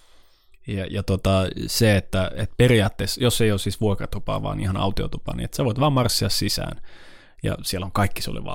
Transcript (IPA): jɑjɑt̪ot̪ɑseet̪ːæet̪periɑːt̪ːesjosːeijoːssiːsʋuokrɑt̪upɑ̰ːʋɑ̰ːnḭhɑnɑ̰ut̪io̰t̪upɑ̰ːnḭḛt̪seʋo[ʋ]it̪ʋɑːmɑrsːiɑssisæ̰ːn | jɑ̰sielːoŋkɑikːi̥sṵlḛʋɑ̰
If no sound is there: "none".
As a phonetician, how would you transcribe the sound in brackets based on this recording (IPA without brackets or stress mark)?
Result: none